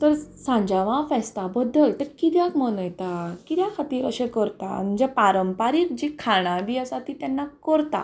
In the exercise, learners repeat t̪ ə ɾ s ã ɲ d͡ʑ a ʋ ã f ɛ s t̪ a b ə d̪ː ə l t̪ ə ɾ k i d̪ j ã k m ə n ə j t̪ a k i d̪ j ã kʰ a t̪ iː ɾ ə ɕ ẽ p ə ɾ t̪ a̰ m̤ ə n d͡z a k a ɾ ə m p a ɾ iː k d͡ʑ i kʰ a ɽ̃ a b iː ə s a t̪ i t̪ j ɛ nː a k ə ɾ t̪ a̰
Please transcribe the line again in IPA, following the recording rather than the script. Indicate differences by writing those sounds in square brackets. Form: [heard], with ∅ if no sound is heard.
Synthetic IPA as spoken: t̪ ə ɾ s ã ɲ d͡ʑ a ʋ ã f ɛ s t̪ a b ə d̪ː ə l t̪ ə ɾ k i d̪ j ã k m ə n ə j t̪ a k i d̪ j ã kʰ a t̪ iː ɾ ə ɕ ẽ [k] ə ɾ t̪ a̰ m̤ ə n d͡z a [p] a ɾ ə m p a ɾ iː k d͡ʑ i kʰ a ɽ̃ a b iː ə s a t̪ i t̪ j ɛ nː a k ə ɾ t̪ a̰